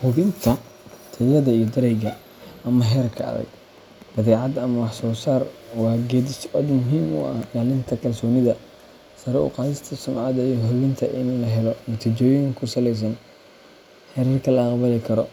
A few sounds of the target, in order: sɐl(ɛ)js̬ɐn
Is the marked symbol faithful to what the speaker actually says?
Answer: yes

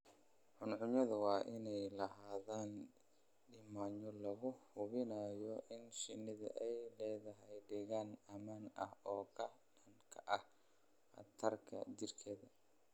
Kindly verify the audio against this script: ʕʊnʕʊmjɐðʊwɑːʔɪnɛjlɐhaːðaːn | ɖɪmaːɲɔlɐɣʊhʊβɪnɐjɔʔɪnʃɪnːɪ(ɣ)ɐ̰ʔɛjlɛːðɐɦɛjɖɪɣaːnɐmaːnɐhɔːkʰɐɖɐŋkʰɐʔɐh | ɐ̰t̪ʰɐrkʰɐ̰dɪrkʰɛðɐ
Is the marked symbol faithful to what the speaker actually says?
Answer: no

